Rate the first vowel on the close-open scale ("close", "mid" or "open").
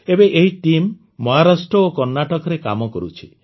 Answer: mid